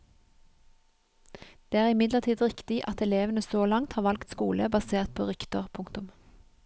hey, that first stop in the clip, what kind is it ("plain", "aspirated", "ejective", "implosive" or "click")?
plain